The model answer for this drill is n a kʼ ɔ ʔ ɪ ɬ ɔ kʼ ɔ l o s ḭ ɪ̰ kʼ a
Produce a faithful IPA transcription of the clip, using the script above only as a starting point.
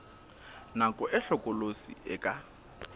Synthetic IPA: n a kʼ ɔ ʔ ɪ ɬ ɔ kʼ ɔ l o s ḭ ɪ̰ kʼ a